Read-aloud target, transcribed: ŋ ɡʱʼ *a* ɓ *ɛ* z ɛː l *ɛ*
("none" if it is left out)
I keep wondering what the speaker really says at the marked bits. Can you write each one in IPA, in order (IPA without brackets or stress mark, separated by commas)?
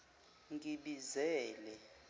i, i, ɛ